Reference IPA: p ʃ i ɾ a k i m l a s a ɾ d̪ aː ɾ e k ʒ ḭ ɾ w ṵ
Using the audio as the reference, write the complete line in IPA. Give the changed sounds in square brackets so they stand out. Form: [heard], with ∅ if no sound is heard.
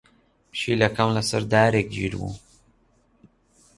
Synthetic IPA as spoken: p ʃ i [l] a k [a] m l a s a ɾ d̪ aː ɾ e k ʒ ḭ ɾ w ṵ